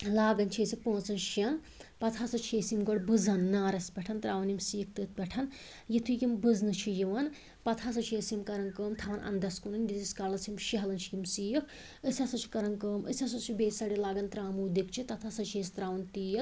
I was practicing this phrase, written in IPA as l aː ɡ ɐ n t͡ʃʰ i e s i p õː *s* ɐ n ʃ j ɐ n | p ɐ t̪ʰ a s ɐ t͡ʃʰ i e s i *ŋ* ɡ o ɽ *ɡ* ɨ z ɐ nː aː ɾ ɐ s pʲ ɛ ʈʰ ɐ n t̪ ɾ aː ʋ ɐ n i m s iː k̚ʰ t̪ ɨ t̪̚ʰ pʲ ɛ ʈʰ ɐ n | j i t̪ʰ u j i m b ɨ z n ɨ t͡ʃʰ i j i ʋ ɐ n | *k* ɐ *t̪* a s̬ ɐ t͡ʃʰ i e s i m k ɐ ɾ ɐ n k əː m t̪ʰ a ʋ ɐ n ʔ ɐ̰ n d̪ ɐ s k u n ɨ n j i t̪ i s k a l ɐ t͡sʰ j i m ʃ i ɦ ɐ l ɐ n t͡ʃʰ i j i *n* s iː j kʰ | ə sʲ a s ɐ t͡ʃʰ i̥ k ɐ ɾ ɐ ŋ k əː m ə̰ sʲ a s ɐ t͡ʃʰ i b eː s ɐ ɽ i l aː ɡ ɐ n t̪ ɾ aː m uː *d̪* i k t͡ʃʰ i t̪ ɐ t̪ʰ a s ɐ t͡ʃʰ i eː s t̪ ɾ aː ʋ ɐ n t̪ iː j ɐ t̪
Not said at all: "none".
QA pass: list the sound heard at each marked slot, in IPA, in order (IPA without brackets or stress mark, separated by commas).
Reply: t͡s, m, b, p, t̪ʰ, m, d̪